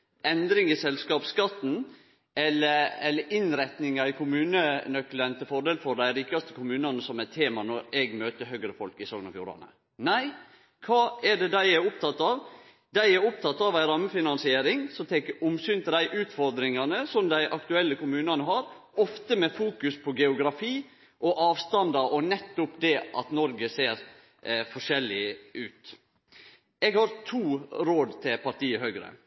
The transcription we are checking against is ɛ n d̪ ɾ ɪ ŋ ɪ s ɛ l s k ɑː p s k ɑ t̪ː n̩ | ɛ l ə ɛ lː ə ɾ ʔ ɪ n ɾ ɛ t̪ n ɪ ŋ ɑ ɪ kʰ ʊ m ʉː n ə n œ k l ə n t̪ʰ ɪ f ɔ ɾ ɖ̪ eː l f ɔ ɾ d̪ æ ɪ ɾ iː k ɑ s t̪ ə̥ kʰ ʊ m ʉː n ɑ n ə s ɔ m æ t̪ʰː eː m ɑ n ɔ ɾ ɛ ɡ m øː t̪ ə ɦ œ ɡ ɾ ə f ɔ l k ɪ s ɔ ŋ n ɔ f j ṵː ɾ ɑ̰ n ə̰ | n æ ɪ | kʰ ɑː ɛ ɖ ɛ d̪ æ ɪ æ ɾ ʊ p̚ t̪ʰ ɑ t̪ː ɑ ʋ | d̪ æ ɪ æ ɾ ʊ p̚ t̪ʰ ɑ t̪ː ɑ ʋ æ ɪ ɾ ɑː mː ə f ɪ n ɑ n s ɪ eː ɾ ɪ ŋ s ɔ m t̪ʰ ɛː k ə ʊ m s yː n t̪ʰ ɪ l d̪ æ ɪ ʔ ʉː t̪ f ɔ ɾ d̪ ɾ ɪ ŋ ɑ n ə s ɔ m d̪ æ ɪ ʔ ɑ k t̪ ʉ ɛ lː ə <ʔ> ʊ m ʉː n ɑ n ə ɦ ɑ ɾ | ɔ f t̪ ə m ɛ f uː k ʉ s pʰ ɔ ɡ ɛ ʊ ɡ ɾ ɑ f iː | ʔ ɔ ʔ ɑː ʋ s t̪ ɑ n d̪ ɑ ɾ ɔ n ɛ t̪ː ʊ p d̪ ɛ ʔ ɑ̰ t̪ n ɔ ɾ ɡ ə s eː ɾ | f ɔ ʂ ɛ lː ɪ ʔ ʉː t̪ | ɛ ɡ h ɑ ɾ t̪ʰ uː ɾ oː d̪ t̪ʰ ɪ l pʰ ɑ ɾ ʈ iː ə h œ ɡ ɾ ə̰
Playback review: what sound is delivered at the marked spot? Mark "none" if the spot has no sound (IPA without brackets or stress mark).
k